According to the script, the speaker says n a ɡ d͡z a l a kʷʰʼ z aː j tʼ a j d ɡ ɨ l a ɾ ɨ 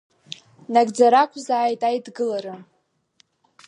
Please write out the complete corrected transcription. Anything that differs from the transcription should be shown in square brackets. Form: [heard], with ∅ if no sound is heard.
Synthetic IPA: n a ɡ d͡z a [ɾ] a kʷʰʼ z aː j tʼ a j d ɡ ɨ l a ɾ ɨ

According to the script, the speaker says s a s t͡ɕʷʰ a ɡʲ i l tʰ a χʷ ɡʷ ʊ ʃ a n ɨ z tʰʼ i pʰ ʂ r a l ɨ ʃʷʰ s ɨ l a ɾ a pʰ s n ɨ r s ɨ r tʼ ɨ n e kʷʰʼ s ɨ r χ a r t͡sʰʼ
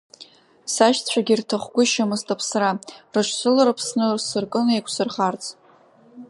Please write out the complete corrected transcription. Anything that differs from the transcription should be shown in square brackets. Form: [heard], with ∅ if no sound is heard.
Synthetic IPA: s a [ʃ] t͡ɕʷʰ a ɡʲ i [r] tʰ a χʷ ɡʷ ʊ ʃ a [m] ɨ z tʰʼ [a] pʰ [s] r a [r] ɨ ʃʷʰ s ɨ l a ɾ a pʰ s n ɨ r s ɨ r [kʼ] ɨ n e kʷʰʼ s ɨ r χ a r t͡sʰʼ

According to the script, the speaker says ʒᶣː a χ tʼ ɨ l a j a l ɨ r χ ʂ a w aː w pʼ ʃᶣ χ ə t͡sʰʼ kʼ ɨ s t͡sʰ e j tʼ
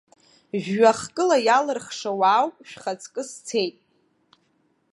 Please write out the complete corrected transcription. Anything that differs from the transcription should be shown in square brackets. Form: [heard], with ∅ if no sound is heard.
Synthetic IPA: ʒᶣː a χ [kʼ] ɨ l a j a l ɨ r χ ʂ a w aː w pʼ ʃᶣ χ [a] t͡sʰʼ kʼ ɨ s t͡sʰ e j tʼ

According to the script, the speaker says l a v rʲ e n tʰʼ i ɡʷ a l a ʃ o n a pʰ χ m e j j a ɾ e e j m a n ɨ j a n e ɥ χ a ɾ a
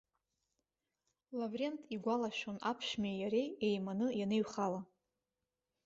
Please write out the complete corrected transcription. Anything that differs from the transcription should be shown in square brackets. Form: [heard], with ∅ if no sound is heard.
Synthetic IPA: l a v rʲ e n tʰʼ i ɡʷ a l a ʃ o n a pʰ [ʃ] m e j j a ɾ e e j m a n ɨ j a n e ɥ χ a [l] a

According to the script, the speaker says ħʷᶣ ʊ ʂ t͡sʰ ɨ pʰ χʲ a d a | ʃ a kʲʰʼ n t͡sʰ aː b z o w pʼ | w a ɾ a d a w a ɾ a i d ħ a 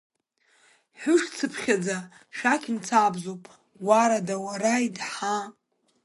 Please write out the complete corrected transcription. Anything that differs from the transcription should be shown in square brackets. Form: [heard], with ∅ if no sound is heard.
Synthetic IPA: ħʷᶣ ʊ ʂ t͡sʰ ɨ pʰ χʲ a [d͡z] a | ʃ a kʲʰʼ n t͡sʰ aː b z o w pʼ | w a ɾ a d a w a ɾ a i d ħ a

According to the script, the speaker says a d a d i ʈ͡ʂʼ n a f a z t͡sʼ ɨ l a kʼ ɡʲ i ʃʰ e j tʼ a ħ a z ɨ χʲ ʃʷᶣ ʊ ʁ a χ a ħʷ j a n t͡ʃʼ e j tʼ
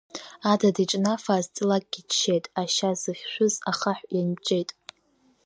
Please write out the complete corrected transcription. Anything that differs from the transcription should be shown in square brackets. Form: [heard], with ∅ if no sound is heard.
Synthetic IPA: a d a d i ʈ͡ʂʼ n a f a z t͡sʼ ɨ l a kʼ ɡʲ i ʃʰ e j tʼ a [ʃ] a z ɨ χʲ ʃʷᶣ ʊ [z] a χ a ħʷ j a n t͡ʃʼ e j tʼ

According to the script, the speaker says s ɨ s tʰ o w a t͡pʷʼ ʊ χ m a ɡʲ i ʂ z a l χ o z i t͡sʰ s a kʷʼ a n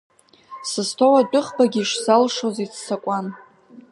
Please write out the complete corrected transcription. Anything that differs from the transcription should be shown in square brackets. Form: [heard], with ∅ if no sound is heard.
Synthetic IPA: s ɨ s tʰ o w a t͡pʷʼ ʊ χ [b] a ɡʲ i ʂ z a l [ʂ] o z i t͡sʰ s a kʷʼ a n

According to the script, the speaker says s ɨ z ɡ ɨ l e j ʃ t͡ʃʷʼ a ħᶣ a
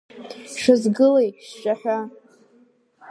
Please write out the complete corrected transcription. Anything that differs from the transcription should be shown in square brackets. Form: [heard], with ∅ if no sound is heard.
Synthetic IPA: [ʂ] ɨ z ɡ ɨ l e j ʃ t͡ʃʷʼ a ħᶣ a

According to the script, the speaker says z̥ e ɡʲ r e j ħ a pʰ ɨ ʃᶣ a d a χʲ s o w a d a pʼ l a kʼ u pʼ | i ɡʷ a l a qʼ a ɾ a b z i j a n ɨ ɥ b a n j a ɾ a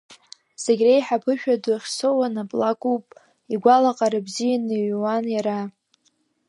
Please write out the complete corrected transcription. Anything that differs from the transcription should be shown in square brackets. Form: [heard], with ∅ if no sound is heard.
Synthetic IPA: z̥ e ɡʲ r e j ħ a pʰ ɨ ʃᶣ a d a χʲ s o w a [n] a pʼ l a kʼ u pʼ | i ɡʷ a l a qʼ a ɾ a b z i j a n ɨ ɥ [w] a n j a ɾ a

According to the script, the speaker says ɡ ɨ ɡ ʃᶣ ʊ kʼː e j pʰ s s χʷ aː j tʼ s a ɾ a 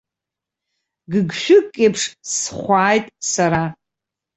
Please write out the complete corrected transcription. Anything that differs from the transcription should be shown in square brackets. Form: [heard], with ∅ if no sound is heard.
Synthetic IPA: ɡ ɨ ɡ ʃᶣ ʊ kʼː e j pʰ [ʂ] s χʷ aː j tʼ s a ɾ a

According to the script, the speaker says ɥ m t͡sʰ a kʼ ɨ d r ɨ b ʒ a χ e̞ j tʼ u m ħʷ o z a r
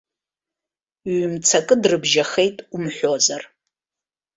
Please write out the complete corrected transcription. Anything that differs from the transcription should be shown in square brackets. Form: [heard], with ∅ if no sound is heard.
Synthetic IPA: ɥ m t͡sʰ a kʼ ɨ d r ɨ b ʒ a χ e̞ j tʼ u m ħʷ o z a r

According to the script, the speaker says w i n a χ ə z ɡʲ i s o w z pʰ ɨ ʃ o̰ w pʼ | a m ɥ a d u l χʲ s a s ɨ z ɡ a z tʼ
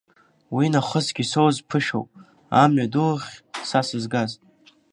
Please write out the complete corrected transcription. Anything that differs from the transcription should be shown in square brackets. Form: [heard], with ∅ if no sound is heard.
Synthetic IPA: w i n a χ ə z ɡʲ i s o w z pʰ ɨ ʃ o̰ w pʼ | a m ɥ a d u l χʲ s a s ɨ z ɡ a z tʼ

